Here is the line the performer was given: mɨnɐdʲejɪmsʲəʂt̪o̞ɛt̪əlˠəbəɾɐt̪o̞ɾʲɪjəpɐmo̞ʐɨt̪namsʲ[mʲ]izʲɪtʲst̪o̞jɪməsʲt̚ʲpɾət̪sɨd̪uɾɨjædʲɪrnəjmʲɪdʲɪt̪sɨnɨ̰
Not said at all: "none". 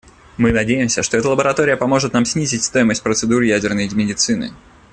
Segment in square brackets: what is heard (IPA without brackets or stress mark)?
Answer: nʲ